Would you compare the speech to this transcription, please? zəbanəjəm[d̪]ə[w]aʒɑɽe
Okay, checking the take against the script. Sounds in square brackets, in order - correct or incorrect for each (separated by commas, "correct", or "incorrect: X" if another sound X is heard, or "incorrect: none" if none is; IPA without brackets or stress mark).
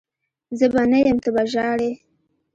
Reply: incorrect: t̪, incorrect: b